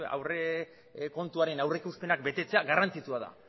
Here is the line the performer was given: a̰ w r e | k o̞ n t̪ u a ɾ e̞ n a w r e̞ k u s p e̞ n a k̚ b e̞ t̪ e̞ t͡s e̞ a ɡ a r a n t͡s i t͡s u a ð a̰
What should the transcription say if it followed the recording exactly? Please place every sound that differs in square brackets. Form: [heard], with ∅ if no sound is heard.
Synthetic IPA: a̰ w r e | k o̞ n t̪ u a ɾ e̞ n a w r e̞ k u s p e̞ n a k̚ b e̞ t̪ e̞ t͡s e̞ a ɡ a r a n t͡s i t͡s u a ð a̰